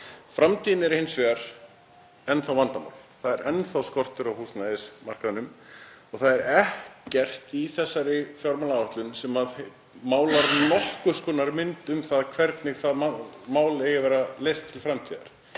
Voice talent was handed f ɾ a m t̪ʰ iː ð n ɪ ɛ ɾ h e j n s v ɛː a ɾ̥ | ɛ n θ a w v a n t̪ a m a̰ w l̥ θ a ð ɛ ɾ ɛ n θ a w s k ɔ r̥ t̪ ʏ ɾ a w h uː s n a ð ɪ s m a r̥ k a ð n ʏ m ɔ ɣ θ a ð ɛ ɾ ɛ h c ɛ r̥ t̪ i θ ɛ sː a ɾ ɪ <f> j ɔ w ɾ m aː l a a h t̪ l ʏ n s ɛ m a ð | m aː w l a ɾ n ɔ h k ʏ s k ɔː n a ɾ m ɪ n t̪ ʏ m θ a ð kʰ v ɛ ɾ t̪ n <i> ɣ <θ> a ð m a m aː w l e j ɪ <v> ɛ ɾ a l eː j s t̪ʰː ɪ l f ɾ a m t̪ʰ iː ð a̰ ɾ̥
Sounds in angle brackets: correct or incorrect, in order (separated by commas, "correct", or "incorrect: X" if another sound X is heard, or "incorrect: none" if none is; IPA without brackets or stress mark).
correct, incorrect: ɪ, correct, correct